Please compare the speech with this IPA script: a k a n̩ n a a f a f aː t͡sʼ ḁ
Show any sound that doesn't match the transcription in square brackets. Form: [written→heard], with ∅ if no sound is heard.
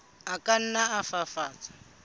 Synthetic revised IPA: a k a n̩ n a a f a f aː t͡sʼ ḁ